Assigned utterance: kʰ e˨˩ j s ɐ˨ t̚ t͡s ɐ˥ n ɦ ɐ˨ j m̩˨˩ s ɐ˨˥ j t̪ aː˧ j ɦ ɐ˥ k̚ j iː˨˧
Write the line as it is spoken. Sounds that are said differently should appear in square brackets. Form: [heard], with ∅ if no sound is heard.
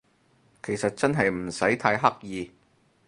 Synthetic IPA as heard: kʰ e˨˩ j s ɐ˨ t̚ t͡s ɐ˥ n ɦ ɐ˨ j m̩˨˩ s ɐ˨˥ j [t̪ʰ] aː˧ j ɦ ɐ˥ k̚ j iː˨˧